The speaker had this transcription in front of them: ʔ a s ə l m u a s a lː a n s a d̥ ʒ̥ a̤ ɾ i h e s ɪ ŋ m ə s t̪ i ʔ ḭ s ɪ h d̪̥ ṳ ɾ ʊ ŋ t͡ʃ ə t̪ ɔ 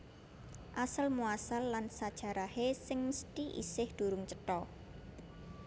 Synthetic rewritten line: ʔ a s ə l m u a s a lː a n s a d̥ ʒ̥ a̤ ɾ a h e s ɪ ŋ m ə s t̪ i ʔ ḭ s ɪ h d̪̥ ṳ ɾ ʊ ŋ t͡ʃ ə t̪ ɔ